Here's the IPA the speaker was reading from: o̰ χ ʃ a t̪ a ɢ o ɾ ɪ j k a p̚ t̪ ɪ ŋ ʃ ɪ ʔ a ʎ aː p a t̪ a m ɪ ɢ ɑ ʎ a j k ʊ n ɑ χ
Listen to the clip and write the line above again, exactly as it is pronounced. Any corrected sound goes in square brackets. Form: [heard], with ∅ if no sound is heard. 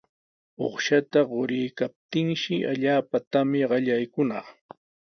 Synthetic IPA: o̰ χ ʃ a t̪ a ɢ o ɾ ɪ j k a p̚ t̪ ɪ ŋ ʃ ɪ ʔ a ʎ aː p a t̪ a m ɪ ɢ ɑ ʎ a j k ʊ n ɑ χ

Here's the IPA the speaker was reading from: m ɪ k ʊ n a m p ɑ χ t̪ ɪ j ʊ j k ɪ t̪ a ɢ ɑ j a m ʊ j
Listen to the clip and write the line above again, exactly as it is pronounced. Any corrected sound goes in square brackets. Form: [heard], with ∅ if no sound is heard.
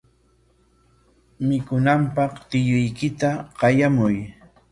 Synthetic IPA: m ɪ k ʊ n a m p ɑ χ t̪ ɪ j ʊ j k ɪ t̪ a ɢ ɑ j a m ʊ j

